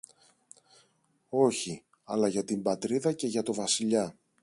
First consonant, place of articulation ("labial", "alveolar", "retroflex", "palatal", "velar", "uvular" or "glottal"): palatal